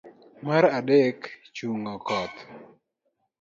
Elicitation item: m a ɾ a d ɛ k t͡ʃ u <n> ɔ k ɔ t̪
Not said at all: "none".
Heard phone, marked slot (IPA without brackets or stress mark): ŋ